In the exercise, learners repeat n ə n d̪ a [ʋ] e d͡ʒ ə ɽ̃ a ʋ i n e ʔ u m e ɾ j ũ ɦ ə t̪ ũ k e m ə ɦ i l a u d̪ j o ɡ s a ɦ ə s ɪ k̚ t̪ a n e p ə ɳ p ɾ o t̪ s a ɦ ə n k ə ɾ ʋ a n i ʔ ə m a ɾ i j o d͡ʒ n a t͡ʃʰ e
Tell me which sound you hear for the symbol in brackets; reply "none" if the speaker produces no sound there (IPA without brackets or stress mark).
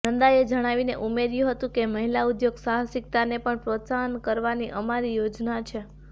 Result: none